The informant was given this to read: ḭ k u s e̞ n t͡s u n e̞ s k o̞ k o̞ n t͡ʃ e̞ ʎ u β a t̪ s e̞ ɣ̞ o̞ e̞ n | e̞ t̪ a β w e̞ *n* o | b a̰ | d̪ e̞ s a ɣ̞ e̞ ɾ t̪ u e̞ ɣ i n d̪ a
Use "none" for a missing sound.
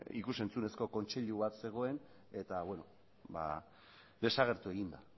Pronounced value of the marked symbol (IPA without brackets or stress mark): n